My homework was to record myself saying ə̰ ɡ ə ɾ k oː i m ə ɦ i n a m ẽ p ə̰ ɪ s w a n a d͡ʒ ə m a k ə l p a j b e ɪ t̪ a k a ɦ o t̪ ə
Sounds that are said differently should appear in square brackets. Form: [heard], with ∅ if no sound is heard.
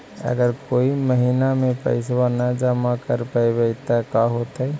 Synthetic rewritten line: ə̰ ɡ ə ɾ k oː i m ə ɦ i n a m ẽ p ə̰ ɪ s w a n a d͡ʒ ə m a k ə [ɾ] p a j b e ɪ t̪ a k a ɦ o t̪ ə